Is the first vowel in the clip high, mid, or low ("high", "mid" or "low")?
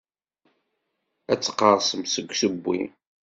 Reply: low